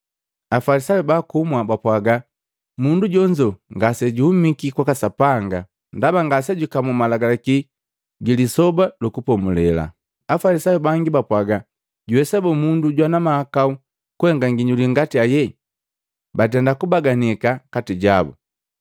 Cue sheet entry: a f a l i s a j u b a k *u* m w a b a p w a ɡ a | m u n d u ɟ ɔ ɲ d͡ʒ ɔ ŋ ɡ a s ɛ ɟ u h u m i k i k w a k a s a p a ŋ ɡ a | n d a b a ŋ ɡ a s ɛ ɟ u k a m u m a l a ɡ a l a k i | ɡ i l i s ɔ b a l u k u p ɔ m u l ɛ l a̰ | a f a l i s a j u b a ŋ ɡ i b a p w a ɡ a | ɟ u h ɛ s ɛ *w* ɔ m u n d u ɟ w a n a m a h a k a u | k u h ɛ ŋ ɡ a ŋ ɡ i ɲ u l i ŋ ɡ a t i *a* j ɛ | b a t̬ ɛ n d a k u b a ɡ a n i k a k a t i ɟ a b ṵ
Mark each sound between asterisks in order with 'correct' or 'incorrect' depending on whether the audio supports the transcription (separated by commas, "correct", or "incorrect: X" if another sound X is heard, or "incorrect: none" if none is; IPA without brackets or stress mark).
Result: correct, incorrect: b, correct